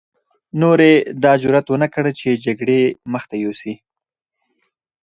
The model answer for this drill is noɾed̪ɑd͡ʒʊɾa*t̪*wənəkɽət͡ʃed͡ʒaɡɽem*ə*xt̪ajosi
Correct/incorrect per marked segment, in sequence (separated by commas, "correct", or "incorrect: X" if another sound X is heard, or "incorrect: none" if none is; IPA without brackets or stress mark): correct, correct